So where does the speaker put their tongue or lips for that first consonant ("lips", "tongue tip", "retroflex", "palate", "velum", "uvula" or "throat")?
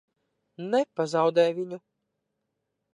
tongue tip